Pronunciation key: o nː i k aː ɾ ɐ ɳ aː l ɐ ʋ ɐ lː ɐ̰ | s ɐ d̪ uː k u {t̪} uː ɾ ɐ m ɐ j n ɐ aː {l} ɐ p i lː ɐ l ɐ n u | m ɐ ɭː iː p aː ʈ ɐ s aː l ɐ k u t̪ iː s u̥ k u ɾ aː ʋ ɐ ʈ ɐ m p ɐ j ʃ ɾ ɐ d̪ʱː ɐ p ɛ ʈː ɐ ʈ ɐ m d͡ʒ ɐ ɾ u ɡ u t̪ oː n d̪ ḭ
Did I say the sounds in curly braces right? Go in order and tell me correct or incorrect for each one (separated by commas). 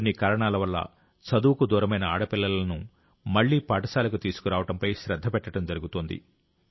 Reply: incorrect, incorrect